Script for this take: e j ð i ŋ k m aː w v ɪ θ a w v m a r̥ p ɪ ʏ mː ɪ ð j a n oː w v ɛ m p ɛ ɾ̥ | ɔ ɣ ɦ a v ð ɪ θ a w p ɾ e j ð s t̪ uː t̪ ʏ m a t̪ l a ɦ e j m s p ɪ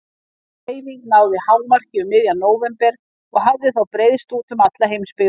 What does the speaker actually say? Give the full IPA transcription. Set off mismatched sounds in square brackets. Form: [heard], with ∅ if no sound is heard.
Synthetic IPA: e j [v] i ŋ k [n] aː w [ð] ɪ [h] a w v m a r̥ [c] ɪ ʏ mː ɪ ð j a n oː w v ɛ m p ɛ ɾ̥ | ɔ ɣ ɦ a v ð ɪ θ a w p ɾ e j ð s t̪ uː t̪ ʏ m a t̪ l a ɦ e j m s p ɪ

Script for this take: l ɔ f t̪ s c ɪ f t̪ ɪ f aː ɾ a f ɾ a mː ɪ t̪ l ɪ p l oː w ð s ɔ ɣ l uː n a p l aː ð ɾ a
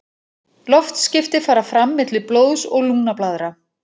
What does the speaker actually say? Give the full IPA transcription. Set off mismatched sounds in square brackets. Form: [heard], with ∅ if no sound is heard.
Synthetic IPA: l ɔ f t̪ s c ɪ f t̪ ɪ f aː ɾ a f ɾ a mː ɪ t̪ l ɪ p l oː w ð s ɔ ɣ l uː n a p l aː ð ɾ a

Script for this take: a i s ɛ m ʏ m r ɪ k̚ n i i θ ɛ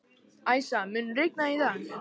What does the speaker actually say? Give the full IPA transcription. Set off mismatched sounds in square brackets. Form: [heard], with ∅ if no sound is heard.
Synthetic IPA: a [j] s [a] m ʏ [n] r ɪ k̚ n [a] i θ [a]

